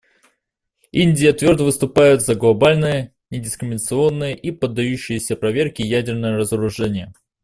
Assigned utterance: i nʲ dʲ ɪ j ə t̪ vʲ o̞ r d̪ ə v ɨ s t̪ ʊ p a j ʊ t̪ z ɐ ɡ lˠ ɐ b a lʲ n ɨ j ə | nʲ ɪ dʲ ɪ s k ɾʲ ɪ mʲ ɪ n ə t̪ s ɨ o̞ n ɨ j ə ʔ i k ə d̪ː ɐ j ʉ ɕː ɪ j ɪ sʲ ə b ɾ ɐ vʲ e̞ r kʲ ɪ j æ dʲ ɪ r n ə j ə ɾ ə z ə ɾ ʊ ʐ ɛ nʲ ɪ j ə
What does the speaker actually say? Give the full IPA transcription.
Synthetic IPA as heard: i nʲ dʲ ɪ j ə t̪ vʲ o̞ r d̪ ə v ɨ s t̪ ʊ p a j ʊ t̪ z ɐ ɡ lˠ ɐ b a lʲ n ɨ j ə | nʲ ɪ dʲ ɪ s k ɾʲ ɪ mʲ ɪ n ə t̪ s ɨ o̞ nː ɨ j ə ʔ i p ə d̪ː ɐ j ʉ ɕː ɪ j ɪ sʲ ə p ɾ ɐ vʲ e̞ r kʲ ɪ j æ dʲ ɪ r n ə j ə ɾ ə z ə ɾ ʊ ʐ ɛ nʲ ɪ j ə